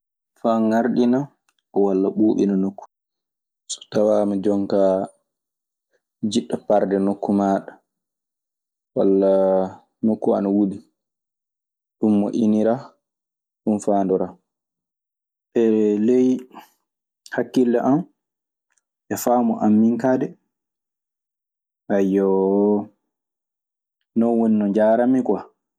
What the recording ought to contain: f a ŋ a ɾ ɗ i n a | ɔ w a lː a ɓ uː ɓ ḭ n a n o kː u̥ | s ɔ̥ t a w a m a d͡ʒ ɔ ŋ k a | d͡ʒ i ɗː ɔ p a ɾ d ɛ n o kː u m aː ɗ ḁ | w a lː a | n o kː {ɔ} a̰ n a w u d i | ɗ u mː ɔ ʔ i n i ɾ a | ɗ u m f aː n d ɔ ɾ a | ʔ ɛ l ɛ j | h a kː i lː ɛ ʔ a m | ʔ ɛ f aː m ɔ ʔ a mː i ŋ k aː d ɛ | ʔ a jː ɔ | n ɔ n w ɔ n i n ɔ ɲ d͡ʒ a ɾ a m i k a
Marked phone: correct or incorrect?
incorrect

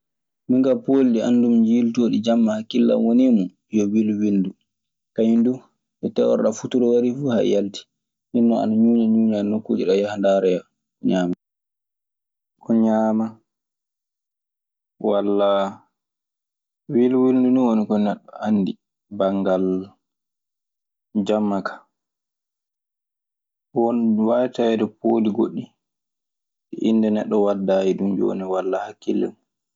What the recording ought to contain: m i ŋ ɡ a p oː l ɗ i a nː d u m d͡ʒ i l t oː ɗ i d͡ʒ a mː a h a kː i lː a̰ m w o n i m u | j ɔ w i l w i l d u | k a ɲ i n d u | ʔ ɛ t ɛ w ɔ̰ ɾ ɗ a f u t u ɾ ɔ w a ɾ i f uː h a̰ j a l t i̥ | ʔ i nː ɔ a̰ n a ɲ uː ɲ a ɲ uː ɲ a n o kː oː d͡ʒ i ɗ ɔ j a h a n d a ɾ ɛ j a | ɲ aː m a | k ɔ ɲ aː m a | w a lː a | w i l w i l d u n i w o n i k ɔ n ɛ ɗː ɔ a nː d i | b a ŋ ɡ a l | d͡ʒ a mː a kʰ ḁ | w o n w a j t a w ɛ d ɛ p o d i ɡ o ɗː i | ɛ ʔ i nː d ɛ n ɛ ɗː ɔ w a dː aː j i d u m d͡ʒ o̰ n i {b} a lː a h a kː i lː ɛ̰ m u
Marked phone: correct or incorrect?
incorrect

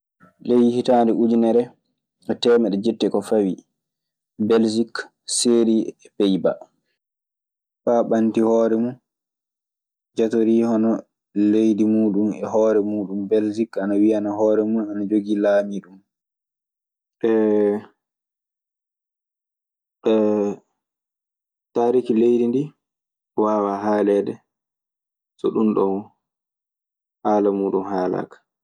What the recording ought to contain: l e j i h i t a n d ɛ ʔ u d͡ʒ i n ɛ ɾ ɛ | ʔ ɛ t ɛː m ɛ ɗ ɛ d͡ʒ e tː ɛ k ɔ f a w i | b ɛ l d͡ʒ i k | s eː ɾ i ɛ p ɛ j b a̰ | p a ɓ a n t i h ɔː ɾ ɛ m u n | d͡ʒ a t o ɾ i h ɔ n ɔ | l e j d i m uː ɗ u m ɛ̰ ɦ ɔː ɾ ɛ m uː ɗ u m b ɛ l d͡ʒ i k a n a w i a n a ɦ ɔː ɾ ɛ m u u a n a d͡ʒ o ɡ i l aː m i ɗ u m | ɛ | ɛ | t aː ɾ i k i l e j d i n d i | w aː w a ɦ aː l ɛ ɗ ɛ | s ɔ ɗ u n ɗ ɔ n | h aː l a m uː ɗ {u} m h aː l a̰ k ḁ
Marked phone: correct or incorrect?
correct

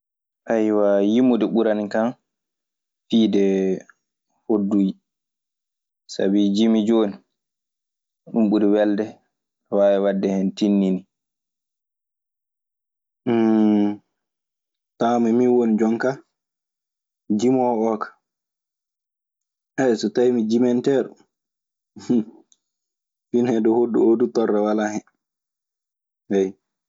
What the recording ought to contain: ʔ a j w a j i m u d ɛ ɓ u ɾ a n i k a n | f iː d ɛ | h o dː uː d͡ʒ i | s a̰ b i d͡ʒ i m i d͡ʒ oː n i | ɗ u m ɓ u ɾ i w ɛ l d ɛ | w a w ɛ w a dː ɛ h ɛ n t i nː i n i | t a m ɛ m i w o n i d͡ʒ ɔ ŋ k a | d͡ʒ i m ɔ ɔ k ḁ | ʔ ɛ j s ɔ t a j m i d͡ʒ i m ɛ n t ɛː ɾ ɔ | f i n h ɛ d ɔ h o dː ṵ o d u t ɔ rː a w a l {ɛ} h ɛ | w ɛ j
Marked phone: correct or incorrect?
incorrect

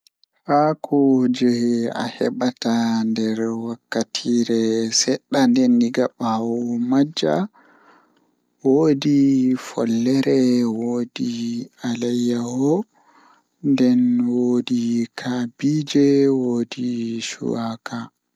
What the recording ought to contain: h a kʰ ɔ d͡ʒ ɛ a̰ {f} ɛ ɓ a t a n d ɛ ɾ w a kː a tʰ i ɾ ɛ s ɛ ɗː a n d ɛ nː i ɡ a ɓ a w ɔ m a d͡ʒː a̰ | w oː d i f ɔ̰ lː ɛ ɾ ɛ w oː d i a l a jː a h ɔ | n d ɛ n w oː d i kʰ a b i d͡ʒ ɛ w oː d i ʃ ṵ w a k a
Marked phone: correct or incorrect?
incorrect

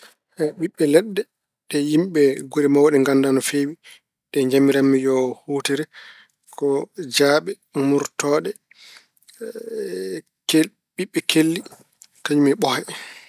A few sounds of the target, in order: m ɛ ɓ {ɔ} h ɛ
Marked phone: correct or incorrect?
correct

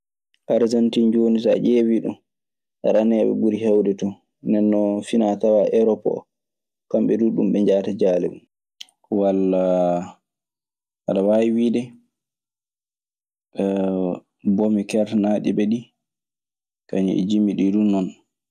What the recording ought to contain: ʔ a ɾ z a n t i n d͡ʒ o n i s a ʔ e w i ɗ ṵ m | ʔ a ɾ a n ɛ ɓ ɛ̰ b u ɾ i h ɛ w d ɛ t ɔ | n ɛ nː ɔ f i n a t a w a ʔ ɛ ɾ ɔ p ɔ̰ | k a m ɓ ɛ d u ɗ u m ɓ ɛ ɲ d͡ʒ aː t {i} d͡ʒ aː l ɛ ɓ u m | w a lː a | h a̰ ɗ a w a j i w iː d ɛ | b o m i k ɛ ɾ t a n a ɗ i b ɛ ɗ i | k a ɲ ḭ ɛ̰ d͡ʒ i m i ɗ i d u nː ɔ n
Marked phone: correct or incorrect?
incorrect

